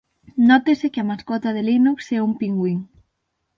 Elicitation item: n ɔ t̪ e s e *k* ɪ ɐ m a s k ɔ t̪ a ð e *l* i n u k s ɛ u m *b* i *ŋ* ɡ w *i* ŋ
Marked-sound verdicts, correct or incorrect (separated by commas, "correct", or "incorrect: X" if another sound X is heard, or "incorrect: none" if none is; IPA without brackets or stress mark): correct, correct, incorrect: p, correct, correct